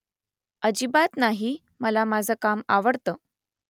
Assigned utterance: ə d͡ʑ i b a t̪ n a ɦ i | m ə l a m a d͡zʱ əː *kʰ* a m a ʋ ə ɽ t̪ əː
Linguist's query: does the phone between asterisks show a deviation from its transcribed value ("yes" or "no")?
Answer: yes